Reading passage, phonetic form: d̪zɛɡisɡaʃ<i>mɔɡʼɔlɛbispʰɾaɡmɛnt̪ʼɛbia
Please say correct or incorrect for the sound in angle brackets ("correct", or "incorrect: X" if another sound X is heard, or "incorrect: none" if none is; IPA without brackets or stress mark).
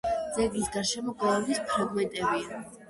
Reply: incorrect: ɛ